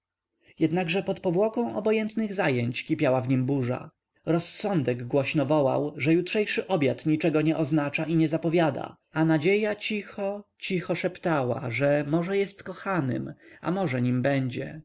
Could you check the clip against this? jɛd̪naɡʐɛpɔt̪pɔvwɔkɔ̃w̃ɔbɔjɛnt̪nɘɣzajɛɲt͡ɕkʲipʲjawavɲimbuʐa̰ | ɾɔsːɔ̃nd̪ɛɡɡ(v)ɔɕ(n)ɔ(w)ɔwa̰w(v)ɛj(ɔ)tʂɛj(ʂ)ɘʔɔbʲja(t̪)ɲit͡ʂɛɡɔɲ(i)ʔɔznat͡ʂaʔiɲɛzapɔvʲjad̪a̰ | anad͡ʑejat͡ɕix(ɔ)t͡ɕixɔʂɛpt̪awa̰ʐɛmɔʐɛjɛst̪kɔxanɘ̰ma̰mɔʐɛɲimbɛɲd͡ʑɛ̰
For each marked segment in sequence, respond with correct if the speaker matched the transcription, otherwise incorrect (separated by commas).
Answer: incorrect, correct, incorrect, incorrect, incorrect, correct, correct, incorrect, correct